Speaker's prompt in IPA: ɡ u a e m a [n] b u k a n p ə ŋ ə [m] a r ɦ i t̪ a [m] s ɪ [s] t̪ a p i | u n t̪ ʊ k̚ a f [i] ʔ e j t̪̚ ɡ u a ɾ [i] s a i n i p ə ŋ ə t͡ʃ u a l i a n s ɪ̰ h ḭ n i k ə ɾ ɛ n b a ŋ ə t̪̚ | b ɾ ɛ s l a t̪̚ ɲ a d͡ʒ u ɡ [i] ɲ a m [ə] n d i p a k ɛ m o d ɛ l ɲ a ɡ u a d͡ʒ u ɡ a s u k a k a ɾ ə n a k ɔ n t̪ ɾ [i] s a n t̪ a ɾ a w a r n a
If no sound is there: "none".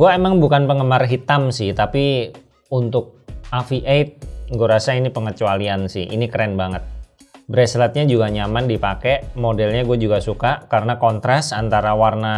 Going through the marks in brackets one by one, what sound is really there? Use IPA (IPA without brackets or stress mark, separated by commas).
ŋ, m, m, h, i, a, a, a, a